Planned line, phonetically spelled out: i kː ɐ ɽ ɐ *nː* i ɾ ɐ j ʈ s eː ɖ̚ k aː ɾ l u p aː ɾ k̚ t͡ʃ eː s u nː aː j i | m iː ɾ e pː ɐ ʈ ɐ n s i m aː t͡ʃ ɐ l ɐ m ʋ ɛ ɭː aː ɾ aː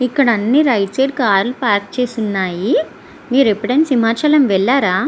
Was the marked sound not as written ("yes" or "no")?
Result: no